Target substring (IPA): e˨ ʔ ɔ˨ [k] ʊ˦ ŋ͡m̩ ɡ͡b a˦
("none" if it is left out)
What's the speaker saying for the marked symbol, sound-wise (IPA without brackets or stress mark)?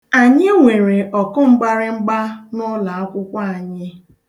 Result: k